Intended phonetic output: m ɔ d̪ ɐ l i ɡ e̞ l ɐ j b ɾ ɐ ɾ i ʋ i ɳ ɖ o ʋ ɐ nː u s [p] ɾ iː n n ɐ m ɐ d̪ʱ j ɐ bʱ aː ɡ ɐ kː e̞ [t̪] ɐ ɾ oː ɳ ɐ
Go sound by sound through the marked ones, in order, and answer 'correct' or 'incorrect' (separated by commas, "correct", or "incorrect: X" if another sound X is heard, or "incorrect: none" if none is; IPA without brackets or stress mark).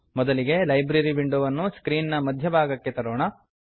incorrect: k, correct